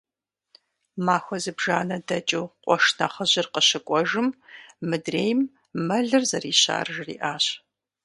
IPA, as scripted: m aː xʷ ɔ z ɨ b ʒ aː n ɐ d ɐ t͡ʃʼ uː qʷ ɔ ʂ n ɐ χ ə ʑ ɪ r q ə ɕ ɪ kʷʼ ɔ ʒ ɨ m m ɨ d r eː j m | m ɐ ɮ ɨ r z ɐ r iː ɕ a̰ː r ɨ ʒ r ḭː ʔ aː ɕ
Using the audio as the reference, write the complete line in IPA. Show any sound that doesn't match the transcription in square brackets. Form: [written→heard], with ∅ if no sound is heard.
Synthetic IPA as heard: m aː xʷ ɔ z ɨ b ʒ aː n ɐ d ɐ t͡ʃʼ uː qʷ ɔ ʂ n ɐ χ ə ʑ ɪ r q ə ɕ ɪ kʷʼ ɔ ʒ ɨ m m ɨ d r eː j m | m ɐ ɮ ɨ r z ɐ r iː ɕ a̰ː r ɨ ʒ r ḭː ʔ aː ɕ